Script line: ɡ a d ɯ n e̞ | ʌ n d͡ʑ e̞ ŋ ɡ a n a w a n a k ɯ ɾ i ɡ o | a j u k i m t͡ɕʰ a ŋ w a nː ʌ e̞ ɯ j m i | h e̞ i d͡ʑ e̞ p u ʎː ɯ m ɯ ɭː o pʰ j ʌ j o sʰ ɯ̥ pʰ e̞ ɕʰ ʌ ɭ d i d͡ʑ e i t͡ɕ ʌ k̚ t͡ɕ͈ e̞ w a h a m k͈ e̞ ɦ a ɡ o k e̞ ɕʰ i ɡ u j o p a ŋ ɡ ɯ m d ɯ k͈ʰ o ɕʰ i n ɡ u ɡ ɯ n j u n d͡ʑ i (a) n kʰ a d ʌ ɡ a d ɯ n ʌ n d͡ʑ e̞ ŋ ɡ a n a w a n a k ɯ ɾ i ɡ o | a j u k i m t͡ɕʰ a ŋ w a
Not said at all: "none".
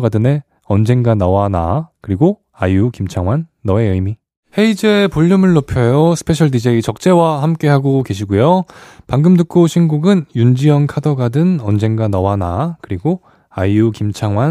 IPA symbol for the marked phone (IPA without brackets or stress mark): ʌ